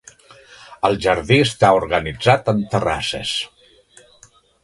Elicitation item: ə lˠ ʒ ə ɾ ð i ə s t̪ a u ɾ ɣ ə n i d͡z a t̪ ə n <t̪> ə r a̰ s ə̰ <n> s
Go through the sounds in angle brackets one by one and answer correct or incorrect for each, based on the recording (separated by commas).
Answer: correct, incorrect